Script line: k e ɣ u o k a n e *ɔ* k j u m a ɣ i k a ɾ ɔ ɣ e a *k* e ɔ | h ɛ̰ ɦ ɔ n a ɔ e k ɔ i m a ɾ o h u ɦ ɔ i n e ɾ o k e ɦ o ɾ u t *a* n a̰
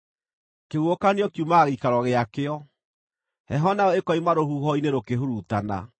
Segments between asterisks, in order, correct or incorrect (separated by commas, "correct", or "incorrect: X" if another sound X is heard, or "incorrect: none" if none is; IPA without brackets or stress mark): correct, correct, correct